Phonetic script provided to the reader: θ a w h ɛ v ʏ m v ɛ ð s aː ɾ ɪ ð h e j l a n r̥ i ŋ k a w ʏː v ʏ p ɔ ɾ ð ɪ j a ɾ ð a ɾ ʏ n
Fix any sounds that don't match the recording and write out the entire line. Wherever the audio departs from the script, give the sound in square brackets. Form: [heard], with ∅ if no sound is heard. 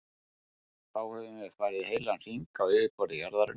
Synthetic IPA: θ a w h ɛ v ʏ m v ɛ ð [f] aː ɾ ɪ ð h e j l a n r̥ i ŋ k a w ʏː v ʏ p ɔ ɾ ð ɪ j a ɾ ð a ɾ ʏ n